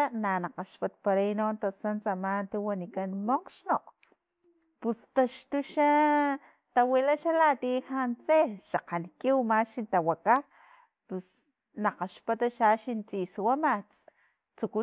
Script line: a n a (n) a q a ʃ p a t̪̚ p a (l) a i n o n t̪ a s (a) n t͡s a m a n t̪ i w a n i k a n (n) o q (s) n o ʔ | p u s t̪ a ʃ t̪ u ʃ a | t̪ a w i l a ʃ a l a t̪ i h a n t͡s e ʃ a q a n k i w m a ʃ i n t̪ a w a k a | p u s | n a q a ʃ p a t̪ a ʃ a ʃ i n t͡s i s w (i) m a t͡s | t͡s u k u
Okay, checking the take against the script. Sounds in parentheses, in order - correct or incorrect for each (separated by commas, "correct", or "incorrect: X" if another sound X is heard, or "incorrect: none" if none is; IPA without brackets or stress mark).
correct, incorrect: ɾ, correct, incorrect: m, incorrect: ʃ, incorrect: a